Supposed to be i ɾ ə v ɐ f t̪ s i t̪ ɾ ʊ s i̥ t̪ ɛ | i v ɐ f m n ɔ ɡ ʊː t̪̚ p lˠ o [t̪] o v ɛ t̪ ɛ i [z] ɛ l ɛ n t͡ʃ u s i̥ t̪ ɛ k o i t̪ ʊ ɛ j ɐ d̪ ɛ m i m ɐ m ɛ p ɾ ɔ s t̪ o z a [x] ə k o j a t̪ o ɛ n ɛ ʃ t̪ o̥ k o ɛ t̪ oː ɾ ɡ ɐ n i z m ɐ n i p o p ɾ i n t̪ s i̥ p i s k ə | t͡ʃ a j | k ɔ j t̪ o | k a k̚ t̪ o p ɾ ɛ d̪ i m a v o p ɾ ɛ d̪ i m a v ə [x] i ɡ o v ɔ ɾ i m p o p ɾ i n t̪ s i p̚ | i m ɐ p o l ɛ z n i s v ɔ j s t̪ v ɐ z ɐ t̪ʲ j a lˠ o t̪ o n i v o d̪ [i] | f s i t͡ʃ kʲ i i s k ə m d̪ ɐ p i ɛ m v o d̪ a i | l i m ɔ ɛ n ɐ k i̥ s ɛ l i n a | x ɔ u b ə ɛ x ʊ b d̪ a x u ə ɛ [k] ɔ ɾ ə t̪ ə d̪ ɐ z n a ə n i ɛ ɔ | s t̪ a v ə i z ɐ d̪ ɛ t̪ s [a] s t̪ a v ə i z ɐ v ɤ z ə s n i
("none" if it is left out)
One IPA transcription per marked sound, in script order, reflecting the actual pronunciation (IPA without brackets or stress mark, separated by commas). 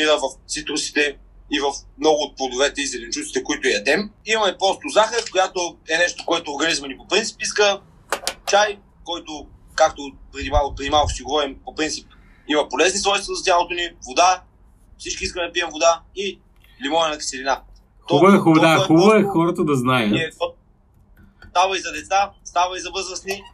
d̪, z, x, ʃ, a, x, a